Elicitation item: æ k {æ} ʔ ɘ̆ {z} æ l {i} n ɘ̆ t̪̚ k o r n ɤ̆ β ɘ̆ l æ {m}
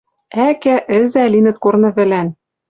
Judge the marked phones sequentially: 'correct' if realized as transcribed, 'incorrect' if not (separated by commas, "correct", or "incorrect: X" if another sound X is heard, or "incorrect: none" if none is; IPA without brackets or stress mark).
correct, correct, correct, incorrect: n